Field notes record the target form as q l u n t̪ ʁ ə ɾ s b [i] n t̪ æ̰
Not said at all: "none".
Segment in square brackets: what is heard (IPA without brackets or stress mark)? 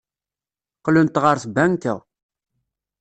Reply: æ